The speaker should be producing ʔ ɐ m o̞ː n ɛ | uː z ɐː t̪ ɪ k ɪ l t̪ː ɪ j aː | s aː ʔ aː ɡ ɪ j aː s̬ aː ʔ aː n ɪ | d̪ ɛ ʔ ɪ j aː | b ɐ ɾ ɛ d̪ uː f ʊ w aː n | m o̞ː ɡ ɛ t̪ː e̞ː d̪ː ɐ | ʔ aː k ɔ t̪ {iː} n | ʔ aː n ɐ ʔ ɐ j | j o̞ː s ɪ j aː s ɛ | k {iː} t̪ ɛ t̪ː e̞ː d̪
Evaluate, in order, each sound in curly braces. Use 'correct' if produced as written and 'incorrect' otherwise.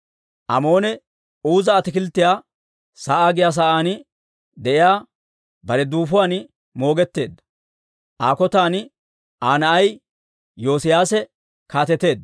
incorrect: aː, incorrect: aː

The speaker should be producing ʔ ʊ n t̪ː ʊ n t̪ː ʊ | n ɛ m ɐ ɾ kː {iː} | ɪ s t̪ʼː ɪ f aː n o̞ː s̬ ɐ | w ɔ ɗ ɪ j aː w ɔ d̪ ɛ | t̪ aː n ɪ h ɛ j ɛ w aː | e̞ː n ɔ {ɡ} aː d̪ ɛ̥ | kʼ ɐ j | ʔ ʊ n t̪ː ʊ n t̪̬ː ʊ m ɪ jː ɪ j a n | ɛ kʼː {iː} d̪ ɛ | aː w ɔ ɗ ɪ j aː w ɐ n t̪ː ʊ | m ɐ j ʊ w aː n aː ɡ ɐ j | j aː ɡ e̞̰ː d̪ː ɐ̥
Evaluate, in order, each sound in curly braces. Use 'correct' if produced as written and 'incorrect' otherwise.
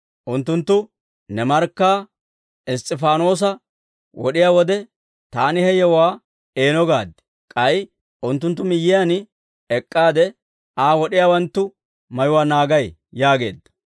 incorrect: aː, correct, incorrect: aː

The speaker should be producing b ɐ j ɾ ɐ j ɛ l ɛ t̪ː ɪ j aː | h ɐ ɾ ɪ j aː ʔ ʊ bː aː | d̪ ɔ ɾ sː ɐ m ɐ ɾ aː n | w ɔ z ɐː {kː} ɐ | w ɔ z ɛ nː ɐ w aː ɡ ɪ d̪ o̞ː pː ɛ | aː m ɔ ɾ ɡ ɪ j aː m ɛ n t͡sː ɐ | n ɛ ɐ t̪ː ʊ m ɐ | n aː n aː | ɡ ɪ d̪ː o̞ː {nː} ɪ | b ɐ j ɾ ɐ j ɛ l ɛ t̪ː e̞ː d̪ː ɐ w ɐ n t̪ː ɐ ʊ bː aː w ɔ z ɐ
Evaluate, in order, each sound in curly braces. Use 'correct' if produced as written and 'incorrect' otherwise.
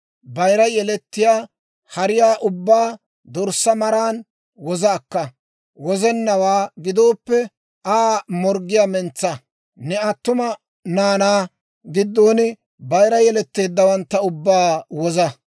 correct, incorrect: n

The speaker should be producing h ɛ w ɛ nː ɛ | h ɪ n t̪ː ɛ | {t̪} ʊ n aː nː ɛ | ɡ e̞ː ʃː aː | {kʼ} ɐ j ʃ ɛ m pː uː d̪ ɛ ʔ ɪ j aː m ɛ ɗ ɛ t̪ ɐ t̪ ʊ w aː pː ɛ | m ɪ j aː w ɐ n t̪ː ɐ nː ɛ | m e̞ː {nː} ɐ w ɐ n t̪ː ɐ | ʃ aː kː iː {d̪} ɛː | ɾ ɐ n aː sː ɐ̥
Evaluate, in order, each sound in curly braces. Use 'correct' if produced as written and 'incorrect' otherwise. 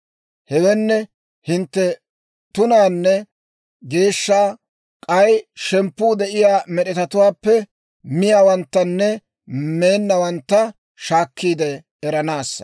correct, correct, correct, correct

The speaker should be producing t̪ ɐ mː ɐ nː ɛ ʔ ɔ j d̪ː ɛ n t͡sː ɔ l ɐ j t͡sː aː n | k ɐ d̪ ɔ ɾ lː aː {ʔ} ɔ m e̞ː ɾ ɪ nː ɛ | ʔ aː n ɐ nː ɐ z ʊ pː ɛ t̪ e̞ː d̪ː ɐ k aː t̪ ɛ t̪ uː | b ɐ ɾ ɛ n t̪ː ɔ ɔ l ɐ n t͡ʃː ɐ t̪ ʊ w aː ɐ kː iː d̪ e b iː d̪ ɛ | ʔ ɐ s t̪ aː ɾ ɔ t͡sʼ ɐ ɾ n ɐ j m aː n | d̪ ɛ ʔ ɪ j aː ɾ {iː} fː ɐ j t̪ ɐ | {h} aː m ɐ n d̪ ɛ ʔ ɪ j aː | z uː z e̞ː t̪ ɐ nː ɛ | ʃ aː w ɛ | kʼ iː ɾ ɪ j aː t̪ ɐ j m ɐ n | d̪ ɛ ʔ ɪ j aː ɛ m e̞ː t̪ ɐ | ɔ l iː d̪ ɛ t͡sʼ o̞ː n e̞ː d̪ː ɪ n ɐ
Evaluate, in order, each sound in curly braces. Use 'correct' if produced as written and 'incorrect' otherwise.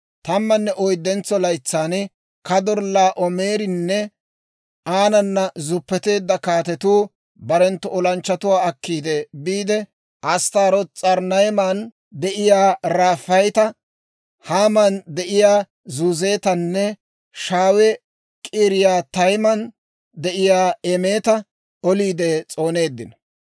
correct, incorrect: aː, correct

